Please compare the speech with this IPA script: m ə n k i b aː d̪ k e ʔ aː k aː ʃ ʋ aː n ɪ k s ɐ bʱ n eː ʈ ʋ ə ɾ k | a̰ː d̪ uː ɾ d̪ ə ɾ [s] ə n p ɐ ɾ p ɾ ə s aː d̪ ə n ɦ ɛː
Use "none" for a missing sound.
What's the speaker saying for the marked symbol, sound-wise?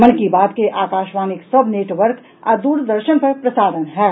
ʃ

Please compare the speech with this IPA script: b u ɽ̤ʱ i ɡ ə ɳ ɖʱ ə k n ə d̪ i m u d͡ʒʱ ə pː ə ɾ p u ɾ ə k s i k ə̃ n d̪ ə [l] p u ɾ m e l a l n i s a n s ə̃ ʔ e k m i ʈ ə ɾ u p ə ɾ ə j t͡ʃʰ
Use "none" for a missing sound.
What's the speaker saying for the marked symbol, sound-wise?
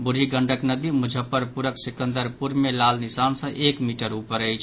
ɾ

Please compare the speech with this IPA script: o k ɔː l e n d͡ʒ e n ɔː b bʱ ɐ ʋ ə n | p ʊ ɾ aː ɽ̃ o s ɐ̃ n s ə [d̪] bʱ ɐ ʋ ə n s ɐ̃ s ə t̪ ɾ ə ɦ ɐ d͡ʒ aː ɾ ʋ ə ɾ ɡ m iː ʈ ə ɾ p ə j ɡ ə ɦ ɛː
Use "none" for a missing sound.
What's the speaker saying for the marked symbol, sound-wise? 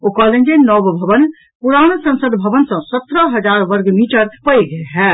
d̪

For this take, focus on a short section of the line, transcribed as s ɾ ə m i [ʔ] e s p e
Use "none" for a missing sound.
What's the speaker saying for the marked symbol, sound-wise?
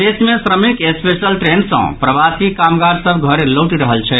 k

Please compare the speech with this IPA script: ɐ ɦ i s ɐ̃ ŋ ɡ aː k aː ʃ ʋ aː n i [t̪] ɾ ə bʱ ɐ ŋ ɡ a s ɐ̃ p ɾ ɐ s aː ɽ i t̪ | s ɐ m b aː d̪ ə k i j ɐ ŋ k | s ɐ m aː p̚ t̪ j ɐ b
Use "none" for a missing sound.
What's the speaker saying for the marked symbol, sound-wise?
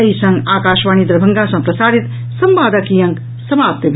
d̪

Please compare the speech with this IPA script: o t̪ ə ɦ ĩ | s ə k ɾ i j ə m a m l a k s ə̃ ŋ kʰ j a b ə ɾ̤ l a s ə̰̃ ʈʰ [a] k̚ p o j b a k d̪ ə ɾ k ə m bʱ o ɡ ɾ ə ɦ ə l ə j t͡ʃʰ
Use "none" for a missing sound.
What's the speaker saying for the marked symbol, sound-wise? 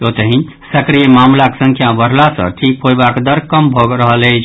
i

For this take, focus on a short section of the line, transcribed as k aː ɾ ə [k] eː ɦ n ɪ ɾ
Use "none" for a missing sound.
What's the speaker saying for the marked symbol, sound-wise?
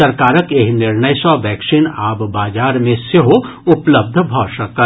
k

